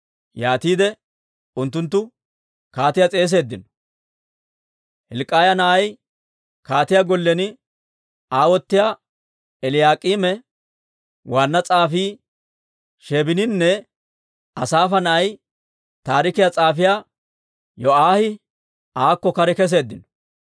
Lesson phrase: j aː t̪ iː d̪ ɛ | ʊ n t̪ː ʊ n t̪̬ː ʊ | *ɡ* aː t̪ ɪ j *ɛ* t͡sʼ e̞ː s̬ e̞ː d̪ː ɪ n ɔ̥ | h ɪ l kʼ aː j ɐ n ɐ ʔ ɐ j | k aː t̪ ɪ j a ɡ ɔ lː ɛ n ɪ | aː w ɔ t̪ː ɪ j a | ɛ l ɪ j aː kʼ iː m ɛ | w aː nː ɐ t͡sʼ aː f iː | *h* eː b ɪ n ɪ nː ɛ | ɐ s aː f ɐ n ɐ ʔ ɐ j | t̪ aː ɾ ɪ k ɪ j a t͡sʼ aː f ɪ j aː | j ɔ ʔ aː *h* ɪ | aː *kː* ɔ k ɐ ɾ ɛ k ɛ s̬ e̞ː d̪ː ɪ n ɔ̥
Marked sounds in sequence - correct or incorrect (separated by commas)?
incorrect, incorrect, incorrect, correct, correct